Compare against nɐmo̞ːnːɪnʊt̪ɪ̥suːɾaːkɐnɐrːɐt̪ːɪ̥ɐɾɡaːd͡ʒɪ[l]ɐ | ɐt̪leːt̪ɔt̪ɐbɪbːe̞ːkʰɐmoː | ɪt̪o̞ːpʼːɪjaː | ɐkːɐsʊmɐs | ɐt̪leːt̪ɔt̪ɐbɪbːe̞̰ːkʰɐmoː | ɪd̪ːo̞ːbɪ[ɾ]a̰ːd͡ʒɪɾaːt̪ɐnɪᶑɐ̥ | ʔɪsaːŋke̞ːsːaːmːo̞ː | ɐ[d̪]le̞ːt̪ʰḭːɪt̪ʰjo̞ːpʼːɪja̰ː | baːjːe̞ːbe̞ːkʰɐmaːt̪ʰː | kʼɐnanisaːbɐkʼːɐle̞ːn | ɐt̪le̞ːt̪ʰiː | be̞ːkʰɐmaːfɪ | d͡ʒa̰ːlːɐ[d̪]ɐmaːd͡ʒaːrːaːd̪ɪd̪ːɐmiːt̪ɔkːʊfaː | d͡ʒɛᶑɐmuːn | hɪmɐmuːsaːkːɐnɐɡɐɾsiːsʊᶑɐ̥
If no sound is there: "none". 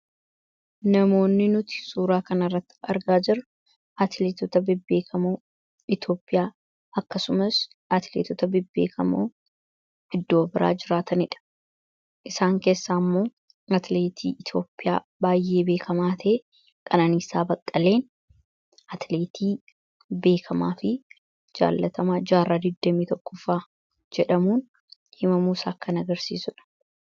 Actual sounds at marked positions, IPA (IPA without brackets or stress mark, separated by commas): ɾ, ɾ, t̪, t̪